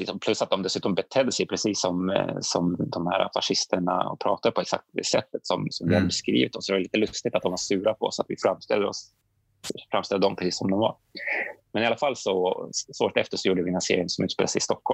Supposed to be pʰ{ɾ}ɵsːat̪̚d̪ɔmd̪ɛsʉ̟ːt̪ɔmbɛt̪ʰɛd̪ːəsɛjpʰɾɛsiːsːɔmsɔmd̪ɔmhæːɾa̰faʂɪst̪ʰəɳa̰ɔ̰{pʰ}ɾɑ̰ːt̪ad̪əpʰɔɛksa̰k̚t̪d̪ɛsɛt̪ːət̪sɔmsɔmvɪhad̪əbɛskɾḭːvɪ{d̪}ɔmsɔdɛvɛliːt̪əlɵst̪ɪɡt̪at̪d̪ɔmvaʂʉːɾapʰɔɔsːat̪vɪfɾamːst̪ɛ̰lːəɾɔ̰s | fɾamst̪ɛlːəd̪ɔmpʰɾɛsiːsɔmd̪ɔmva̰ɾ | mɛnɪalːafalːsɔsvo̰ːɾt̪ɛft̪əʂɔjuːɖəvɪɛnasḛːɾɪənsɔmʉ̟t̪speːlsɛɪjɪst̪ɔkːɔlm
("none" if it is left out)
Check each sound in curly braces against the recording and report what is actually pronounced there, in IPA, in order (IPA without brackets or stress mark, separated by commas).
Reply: l, pʰ, t̪